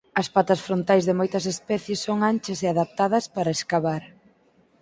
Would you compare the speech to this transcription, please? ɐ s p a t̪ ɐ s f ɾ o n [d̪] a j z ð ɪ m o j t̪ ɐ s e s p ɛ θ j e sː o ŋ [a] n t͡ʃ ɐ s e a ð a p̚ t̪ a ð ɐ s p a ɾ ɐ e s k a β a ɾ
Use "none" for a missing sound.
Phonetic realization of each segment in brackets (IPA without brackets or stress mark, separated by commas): t̪, a